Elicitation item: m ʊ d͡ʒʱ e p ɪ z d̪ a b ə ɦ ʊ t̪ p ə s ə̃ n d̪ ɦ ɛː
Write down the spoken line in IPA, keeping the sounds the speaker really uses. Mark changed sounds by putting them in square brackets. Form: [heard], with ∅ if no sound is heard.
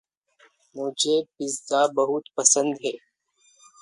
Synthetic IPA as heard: m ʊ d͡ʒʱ e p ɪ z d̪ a b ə ɦ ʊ t̪ p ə s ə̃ n d̪ ɦ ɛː